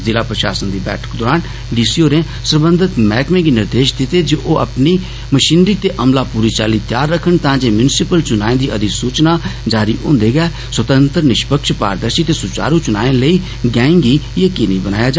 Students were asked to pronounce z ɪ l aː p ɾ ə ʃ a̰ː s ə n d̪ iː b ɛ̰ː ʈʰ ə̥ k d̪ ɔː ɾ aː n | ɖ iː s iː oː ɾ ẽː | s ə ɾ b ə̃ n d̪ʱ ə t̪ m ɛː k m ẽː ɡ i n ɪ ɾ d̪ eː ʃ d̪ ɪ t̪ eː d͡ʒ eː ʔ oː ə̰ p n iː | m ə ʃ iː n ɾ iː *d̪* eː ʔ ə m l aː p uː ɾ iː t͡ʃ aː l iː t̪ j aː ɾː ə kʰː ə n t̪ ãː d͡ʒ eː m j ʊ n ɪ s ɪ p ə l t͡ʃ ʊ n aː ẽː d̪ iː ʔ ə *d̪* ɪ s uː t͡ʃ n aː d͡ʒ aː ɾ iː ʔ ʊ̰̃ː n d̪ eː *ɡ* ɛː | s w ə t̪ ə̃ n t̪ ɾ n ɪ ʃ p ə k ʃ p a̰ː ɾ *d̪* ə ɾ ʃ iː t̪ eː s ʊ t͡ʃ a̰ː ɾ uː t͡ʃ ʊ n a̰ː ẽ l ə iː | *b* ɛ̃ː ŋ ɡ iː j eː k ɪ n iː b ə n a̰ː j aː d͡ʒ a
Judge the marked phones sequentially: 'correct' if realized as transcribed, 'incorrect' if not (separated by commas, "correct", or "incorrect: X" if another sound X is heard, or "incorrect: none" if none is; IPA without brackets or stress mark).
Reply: incorrect: t̪, correct, correct, correct, incorrect: ɡ